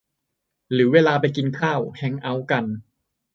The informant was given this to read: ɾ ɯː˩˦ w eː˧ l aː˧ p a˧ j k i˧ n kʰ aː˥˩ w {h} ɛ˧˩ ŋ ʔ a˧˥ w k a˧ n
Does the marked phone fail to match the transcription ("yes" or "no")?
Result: no